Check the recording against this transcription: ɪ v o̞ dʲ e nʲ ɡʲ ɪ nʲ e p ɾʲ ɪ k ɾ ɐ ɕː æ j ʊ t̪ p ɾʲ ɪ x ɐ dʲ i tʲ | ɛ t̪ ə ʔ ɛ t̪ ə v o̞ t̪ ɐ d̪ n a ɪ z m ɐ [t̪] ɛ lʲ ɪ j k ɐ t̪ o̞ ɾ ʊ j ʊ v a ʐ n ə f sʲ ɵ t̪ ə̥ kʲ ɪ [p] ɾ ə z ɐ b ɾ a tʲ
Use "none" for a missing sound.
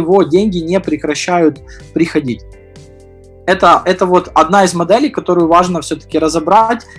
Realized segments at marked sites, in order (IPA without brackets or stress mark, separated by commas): d̪, none